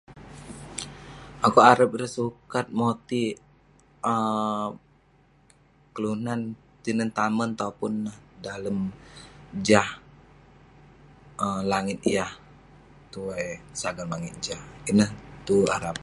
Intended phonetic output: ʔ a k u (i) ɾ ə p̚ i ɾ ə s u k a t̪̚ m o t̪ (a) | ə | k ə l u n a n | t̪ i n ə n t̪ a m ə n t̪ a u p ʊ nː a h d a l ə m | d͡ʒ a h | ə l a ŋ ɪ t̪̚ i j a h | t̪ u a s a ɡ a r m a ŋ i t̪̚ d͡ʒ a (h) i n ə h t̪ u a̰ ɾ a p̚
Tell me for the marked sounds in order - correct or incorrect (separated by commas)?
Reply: incorrect, incorrect, correct